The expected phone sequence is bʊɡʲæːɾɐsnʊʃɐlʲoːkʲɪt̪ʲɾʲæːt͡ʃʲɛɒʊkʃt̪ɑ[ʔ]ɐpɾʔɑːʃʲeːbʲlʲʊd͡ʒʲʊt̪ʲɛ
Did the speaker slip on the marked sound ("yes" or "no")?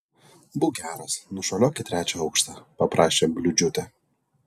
yes